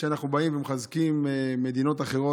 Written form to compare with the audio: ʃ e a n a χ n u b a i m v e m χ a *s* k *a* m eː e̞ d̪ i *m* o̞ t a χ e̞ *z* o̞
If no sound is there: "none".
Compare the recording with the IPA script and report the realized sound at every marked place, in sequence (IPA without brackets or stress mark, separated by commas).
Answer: z, i, n, ʁ